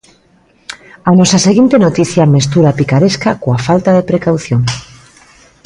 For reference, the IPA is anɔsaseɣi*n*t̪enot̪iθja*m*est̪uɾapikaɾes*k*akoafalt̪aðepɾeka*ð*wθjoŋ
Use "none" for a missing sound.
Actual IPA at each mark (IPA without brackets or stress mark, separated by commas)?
n, m, k, none